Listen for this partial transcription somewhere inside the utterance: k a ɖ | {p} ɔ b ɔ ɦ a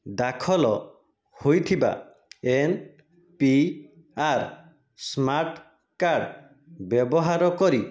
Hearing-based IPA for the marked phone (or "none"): b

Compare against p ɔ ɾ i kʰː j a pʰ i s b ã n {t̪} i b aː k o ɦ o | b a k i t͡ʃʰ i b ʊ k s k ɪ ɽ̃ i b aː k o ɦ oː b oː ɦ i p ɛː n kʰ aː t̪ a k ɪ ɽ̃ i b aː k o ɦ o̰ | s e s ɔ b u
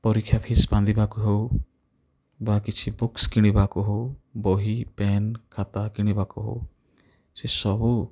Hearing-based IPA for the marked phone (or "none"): d̪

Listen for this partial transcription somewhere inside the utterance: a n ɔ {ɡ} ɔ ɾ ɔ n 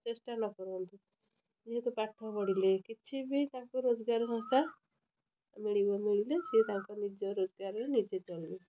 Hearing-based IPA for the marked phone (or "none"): k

